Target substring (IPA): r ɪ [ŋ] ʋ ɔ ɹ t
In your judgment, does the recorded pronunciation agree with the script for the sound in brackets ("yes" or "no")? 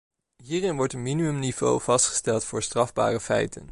no